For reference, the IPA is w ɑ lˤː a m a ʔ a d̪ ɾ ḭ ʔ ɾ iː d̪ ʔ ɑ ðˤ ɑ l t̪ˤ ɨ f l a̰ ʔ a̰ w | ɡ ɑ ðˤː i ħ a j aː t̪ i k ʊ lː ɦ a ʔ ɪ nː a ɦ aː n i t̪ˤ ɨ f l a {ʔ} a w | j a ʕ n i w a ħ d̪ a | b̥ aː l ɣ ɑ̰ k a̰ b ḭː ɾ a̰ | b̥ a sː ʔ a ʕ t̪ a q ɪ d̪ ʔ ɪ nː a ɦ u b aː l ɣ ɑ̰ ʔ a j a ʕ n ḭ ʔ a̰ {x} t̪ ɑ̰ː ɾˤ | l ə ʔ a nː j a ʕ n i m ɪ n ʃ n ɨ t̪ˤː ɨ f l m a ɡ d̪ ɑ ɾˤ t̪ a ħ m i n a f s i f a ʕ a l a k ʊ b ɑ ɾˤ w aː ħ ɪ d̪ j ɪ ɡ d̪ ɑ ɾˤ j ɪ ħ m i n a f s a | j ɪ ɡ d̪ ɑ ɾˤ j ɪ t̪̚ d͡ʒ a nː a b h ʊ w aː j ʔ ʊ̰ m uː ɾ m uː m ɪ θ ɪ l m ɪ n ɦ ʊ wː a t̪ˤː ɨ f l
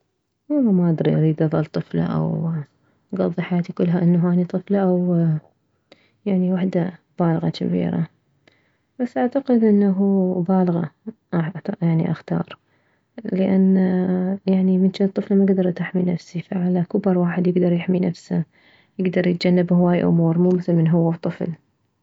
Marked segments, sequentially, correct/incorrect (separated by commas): correct, correct